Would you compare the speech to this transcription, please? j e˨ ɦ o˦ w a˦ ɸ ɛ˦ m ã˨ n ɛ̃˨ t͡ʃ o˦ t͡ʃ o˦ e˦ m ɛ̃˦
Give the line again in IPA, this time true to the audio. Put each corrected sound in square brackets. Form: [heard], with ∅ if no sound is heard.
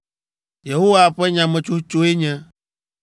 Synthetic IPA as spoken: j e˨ ɦ o˦ w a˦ ɸ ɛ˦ [ɲ] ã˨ [m] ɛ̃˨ t͡ʃ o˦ t͡ʃ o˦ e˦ [ɲ] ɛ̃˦